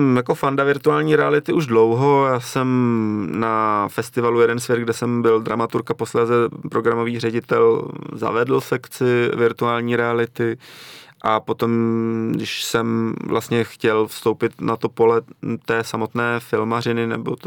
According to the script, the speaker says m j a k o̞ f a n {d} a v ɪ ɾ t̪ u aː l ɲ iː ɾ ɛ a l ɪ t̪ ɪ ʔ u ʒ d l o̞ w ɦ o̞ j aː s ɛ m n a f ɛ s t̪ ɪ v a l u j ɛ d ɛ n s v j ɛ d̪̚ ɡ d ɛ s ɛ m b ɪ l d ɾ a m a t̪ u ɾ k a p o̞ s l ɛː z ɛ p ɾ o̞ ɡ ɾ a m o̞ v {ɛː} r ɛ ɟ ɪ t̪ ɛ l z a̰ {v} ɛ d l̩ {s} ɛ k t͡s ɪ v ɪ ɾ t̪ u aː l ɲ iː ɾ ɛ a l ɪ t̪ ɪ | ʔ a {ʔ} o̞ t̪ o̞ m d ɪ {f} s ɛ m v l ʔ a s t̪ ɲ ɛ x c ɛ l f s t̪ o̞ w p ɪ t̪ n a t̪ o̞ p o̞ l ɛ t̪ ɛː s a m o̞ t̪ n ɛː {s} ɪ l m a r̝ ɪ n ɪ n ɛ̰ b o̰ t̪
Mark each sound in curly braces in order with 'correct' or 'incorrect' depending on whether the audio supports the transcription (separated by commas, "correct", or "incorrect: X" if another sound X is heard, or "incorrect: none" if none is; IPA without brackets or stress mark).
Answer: correct, incorrect: iː, correct, correct, incorrect: p, incorrect: ʃ, incorrect: f